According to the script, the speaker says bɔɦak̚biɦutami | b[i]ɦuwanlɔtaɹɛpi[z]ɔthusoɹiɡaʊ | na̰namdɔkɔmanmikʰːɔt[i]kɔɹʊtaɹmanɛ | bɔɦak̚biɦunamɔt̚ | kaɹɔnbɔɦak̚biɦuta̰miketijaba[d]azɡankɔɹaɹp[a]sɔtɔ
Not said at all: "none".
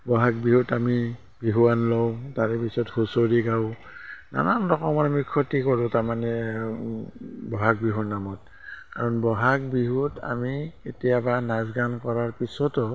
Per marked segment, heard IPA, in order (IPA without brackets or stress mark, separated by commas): i, s, i, n, i